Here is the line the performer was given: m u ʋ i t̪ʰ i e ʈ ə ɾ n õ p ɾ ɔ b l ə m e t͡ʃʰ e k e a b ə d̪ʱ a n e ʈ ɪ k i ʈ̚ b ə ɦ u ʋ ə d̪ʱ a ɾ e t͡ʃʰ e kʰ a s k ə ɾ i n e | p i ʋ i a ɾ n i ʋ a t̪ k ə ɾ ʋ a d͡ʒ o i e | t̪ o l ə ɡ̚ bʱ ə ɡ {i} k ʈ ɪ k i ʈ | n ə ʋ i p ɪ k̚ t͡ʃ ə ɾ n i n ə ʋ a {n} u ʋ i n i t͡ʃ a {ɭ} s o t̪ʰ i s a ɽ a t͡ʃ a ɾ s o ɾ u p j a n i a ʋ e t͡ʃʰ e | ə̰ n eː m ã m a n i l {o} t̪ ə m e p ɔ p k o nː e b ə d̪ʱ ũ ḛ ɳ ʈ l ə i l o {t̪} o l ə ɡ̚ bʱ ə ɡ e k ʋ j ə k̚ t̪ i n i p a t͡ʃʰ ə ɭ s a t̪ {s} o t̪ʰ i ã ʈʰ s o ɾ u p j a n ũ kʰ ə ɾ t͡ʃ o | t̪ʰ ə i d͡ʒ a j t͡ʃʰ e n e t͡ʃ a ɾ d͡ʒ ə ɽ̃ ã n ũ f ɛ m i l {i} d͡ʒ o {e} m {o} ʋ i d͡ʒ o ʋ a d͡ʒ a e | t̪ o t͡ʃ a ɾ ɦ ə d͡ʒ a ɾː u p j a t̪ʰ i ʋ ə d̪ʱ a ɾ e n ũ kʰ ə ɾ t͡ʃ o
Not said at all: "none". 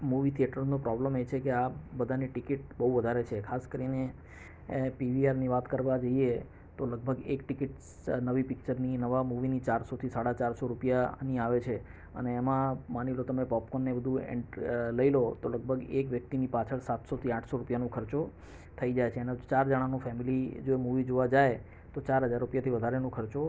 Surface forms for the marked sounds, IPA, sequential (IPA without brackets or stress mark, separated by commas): e, m, ɾ, o, t̪, s, i, e, u